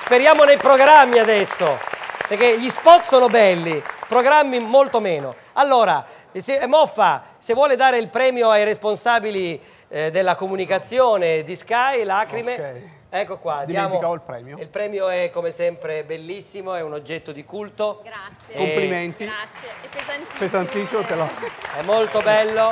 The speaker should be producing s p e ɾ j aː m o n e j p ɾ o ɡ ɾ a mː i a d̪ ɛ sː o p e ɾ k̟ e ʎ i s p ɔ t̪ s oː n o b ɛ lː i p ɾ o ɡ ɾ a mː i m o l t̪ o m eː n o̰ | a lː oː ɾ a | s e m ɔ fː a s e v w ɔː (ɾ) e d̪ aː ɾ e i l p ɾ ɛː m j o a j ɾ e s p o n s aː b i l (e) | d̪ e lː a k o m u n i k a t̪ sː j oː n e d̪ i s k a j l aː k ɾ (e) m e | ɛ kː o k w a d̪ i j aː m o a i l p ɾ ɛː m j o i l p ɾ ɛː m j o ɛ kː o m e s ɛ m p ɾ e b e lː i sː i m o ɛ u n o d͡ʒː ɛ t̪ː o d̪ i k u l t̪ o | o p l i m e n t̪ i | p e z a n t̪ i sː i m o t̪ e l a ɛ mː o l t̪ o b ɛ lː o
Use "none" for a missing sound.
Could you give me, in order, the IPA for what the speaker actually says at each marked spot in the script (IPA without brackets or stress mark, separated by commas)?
l, i, i